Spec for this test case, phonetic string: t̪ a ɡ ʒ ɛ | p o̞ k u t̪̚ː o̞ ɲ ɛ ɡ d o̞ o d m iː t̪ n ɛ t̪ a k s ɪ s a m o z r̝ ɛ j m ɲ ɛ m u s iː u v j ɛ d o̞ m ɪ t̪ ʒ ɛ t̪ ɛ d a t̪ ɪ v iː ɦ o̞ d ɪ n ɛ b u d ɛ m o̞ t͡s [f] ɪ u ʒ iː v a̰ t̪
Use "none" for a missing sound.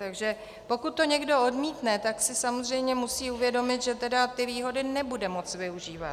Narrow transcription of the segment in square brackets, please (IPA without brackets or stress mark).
v